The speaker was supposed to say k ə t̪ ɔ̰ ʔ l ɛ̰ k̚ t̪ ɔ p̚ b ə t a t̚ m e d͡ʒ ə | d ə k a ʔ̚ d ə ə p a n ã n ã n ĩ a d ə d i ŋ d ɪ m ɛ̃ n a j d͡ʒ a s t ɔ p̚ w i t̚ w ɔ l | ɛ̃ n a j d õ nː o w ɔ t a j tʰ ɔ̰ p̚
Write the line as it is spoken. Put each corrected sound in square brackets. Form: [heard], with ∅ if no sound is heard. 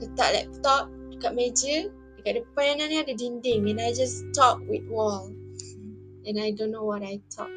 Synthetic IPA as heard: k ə t̪ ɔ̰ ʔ l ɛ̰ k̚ t̪ ɔ p̚ [d] ə [k] a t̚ m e d͡ʒ ə | d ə k a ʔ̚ d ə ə p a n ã n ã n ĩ a d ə d i [n] d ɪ [ŋ] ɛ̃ n a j d͡ʒ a s t ɔ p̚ w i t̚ w ɔ l | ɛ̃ n a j d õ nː o w ɔ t a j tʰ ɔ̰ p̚